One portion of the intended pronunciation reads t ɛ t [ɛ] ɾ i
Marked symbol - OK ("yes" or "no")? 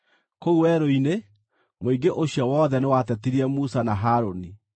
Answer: no